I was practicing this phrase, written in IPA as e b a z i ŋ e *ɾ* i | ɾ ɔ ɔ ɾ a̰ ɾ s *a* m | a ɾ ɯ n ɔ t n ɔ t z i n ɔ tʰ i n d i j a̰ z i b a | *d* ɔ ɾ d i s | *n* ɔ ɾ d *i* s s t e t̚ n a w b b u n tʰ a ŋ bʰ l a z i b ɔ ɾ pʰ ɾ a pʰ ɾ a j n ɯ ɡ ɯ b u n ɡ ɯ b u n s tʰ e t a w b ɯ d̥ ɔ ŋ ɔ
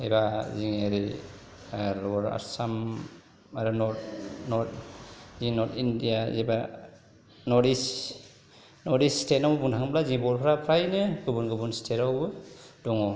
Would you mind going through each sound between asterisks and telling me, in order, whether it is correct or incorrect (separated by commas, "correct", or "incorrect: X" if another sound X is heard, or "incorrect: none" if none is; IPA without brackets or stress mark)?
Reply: correct, correct, incorrect: n, correct, correct